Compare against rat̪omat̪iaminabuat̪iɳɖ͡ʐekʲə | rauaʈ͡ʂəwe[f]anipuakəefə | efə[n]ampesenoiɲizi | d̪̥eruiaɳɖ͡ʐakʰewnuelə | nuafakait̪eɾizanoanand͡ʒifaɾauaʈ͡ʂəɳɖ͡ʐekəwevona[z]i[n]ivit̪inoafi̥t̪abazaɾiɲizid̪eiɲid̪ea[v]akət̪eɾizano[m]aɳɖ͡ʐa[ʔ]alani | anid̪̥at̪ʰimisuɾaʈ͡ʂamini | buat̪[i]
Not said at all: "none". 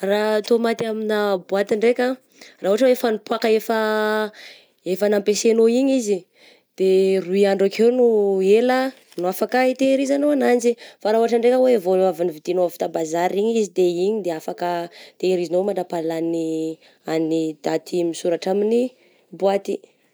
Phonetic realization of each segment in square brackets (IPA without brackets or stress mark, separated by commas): f, n, v, n, f, m, p, i